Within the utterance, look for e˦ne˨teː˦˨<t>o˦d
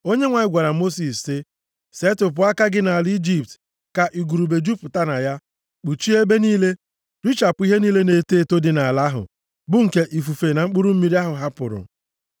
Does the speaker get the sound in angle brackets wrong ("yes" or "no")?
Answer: no